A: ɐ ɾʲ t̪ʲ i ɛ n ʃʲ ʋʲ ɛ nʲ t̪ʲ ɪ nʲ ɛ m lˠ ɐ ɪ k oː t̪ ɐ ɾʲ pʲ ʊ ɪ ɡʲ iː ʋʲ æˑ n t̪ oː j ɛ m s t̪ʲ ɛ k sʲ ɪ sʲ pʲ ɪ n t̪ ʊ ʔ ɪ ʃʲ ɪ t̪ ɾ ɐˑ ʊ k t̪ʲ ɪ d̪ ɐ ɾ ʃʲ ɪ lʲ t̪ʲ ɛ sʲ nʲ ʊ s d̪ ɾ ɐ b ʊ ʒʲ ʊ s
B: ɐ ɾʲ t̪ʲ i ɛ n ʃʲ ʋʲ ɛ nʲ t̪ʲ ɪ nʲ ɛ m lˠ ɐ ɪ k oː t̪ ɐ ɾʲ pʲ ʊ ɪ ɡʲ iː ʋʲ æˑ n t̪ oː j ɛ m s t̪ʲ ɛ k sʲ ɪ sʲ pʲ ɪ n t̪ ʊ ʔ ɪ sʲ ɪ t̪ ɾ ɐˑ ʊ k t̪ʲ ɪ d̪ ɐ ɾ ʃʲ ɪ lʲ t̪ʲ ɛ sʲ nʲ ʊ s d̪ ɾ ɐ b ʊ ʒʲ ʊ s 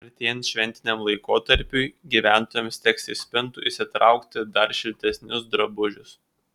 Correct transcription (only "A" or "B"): B